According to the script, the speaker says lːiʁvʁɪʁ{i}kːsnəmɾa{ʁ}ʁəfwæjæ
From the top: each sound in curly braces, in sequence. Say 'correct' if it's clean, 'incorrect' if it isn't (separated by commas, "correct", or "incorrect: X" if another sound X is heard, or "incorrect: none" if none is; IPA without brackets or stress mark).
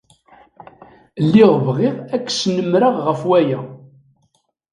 incorrect: æ, correct